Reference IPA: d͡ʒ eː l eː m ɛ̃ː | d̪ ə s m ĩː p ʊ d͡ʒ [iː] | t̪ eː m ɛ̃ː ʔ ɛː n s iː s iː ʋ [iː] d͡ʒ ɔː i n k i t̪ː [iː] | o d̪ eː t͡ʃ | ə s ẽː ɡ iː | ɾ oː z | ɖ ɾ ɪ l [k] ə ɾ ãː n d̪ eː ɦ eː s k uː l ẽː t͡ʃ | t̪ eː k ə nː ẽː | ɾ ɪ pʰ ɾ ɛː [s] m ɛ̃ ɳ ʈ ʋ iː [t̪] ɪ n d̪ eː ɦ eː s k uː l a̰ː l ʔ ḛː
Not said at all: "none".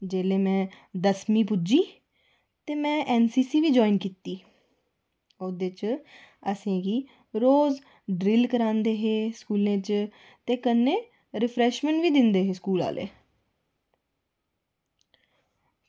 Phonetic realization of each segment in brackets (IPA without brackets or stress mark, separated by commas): iː, iː, iː, k, ʃ, d̪